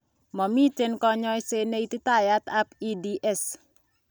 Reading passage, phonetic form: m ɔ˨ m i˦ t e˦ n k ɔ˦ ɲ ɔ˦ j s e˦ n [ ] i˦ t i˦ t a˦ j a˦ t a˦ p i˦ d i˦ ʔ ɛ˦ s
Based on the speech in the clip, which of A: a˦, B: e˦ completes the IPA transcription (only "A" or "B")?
B